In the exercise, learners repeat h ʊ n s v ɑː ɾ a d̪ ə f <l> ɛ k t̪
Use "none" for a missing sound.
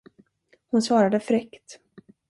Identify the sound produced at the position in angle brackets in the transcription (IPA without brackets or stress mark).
ɾ